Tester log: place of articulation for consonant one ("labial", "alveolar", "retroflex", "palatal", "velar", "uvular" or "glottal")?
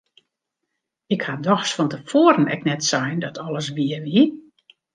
velar